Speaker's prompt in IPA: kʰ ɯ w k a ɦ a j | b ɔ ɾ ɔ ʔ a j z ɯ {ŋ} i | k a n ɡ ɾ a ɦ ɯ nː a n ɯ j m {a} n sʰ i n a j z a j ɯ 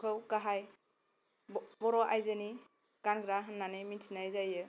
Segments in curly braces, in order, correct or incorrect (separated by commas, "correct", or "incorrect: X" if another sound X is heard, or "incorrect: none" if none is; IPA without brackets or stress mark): incorrect: n, incorrect: i